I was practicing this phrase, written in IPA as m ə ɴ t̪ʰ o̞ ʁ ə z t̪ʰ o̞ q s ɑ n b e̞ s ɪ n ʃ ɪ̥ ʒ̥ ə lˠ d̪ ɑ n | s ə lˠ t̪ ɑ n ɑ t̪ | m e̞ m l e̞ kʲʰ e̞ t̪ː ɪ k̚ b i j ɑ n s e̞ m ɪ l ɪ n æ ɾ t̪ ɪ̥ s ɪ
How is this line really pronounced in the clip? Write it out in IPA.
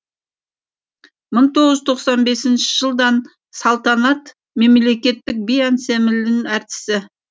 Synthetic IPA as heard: m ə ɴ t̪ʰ o̞ ʁ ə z t̪ʰ o̞ q s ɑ n b e̞ s ɪ n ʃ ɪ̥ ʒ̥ ə lˠ d̪ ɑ n | s ɑ lˠ t̪ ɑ n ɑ t̪ | m e̞ m l e̞ kʲ e̞ t̪ː ɪ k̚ b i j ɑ n s e̞ m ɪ l ɪ n æ ɾ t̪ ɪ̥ s ɪ